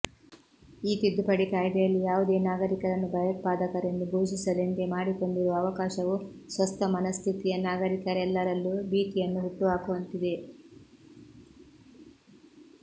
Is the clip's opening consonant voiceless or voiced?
voiceless